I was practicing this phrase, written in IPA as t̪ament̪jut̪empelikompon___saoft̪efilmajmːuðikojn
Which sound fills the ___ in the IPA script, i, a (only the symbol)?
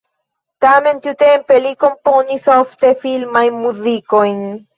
i